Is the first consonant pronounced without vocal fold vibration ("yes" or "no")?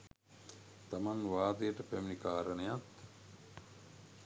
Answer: yes